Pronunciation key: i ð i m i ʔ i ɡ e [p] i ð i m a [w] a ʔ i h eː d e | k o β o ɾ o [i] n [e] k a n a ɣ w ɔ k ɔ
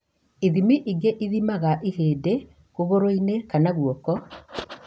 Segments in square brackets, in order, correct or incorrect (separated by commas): incorrect, incorrect, correct, correct